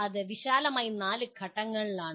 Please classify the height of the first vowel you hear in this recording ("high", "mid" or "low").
low